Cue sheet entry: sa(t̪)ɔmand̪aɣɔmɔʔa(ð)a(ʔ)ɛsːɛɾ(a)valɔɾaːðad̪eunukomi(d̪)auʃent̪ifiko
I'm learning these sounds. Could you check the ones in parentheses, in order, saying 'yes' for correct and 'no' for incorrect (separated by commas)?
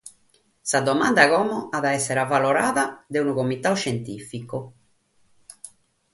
no, yes, no, yes, no